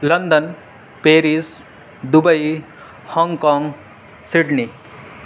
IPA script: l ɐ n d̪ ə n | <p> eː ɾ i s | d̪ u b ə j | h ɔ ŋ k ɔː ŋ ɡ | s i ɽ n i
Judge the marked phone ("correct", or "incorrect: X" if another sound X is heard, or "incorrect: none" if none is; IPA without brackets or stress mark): correct